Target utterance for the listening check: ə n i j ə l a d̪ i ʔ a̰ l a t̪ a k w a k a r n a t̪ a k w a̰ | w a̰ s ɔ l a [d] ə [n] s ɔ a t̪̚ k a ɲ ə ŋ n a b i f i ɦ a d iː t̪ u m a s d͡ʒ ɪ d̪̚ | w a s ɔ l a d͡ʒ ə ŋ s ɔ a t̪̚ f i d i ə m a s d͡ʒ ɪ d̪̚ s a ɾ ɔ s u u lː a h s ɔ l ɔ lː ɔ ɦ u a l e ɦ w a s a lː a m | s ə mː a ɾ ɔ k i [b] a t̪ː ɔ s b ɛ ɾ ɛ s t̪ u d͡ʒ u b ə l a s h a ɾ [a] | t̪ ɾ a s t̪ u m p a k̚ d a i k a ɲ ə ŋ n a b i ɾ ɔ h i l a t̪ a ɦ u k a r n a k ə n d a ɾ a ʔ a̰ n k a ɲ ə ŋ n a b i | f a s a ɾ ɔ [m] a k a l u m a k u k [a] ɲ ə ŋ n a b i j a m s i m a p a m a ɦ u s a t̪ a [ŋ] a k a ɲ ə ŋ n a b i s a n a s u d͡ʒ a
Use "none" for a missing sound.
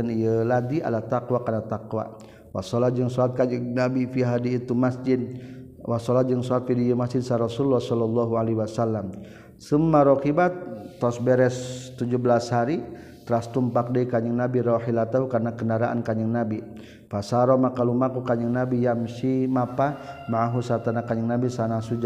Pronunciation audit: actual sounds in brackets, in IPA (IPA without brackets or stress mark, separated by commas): d͡ʒ, ŋ, b, i, m, a, n